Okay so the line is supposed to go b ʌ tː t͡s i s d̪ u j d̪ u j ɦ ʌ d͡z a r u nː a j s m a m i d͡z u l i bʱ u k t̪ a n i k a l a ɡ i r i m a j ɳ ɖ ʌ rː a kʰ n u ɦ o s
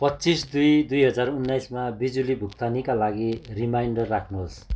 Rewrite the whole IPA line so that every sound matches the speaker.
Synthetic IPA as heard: p ʌ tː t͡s i s d̪ u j d̪ u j ɦ ʌ d͡z a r u nː a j s m a b i d͡z u l i bʱ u k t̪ a n i k a l a ɡ i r i m a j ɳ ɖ ʌ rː a kʰ n u ɦ o s